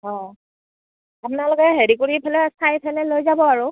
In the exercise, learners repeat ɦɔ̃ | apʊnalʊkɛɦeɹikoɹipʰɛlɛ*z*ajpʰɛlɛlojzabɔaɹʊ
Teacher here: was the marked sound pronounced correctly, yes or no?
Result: no